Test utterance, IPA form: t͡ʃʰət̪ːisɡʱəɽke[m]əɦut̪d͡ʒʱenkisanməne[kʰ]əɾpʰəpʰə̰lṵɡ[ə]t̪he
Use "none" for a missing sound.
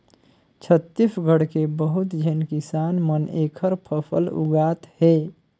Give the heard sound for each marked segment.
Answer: b, kʰ, a

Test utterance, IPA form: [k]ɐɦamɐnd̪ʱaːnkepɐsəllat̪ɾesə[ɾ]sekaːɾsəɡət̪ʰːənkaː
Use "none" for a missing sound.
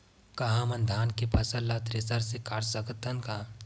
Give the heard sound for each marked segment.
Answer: k, ɾ

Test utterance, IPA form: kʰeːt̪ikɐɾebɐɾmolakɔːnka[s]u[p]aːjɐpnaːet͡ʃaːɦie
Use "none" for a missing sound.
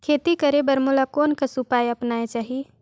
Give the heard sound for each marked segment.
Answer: s, p

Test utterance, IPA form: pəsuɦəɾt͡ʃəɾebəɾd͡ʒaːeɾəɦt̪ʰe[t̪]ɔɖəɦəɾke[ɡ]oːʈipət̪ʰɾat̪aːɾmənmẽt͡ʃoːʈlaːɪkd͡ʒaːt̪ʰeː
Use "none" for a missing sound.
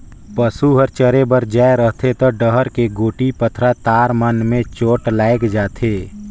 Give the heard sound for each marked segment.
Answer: t̪, ɡ

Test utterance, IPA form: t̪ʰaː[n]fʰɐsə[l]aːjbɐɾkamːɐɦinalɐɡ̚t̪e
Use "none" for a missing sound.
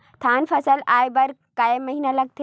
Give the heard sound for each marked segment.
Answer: n, l

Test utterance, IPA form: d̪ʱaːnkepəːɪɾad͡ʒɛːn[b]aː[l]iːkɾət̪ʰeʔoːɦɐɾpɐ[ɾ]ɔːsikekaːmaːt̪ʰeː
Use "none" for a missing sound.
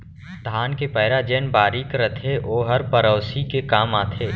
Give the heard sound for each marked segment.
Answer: b, ɾ, ɾ

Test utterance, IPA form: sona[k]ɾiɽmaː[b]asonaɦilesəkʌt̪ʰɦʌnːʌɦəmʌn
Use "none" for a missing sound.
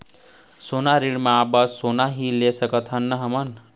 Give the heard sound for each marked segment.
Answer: none, b

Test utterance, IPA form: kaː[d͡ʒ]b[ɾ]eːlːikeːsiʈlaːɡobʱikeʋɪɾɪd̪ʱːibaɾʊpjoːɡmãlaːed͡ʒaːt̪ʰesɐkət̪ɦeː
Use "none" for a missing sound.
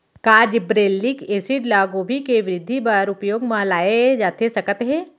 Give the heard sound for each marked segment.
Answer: d͡ʒ, ɾ

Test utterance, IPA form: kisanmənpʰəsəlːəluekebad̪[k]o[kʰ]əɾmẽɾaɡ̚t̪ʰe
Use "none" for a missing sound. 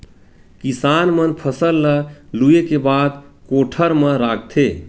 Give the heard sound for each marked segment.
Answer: k, ʈʰ

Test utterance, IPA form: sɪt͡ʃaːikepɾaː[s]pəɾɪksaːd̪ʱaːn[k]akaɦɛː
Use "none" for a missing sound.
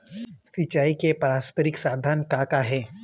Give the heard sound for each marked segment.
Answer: s, k

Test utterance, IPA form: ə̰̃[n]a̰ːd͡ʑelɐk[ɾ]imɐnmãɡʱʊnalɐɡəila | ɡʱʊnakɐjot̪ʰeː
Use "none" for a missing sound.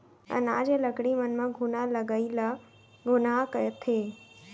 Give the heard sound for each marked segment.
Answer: n, ɽ

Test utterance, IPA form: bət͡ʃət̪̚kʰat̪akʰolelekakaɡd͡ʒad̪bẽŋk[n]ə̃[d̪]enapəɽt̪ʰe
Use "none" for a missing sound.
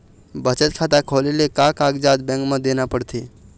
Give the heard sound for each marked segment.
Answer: m, d̪

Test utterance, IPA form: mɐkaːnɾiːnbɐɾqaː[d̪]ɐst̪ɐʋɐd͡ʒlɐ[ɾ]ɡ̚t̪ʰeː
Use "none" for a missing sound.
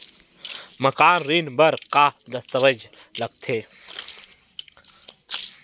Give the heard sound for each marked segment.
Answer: d̪, none

